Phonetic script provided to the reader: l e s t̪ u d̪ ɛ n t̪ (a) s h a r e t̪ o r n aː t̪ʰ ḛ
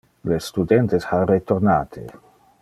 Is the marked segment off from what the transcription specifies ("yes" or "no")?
yes